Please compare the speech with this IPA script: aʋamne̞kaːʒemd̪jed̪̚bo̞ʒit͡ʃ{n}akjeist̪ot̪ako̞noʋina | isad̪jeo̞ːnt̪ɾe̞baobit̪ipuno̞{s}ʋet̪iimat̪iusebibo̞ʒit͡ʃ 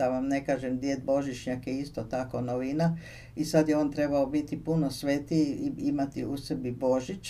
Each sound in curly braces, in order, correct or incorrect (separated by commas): incorrect, correct